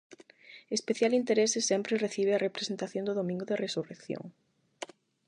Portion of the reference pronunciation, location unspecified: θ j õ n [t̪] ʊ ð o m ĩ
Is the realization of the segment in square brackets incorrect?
yes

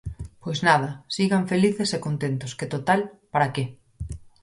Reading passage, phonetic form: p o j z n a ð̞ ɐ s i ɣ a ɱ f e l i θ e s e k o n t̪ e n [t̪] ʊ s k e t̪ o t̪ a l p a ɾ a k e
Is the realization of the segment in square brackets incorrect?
no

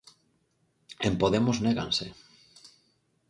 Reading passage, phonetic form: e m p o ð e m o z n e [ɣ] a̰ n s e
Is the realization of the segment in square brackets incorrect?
no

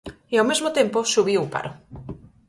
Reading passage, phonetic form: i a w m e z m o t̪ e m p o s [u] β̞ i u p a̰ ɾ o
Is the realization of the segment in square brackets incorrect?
no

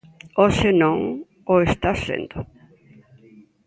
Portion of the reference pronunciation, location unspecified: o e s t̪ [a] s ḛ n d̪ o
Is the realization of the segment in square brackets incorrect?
no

